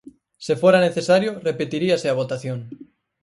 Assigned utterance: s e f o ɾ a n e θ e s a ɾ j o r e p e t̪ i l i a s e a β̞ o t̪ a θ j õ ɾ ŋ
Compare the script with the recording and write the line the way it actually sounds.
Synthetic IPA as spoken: s e f o ɾ a n e θ e s a ɾ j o r e p e t̪ i ɾ i a s e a β̞ o t̪ a θ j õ ŋ